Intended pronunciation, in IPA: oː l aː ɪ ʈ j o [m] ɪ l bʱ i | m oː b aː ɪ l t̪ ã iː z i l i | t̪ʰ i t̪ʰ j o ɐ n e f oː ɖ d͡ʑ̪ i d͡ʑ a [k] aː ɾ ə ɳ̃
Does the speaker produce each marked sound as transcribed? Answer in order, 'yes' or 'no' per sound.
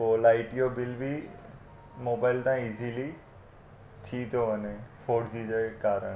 no, yes

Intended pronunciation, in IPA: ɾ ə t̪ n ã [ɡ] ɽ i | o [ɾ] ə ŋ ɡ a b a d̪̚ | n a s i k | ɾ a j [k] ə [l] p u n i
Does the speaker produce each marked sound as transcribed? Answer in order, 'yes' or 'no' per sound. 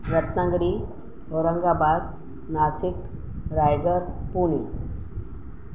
yes, yes, no, no

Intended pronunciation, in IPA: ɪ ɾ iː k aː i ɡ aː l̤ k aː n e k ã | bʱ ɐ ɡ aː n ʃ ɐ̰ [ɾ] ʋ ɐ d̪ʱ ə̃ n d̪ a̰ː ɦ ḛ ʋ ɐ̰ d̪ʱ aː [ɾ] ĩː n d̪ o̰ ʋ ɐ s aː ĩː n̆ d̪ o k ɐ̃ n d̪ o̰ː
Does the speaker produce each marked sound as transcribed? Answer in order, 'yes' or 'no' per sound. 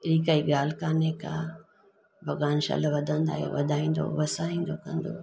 no, no

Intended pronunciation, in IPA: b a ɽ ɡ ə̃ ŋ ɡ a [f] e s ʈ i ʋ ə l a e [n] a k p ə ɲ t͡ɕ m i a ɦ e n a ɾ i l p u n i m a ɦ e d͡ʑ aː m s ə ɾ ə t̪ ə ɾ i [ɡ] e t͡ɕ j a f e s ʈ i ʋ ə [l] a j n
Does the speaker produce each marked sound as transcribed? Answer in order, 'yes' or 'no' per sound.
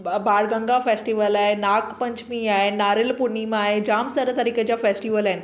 yes, yes, no, yes

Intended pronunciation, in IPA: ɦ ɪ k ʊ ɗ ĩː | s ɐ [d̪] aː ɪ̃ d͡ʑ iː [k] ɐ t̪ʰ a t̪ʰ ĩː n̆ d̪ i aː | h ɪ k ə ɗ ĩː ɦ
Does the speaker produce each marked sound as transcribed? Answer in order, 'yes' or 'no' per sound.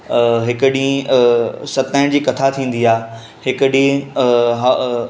no, yes

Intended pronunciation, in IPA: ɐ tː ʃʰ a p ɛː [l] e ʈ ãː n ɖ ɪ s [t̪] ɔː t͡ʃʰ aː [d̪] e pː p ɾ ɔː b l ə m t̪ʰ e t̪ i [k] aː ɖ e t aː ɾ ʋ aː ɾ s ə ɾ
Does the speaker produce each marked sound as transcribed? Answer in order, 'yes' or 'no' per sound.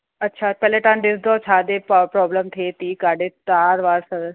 yes, no, yes, yes

